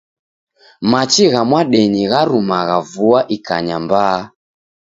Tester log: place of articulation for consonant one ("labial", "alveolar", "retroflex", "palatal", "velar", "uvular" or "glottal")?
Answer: labial